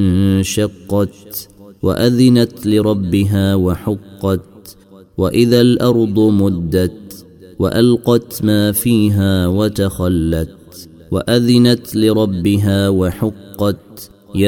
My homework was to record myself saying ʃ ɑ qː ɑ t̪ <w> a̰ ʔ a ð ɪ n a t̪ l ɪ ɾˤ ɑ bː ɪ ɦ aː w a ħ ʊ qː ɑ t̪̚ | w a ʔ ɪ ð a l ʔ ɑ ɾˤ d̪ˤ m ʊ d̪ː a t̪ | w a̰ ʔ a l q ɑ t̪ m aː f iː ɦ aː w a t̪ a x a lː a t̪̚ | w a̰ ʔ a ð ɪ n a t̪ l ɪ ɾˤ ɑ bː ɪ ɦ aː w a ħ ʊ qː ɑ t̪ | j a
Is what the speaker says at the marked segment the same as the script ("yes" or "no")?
yes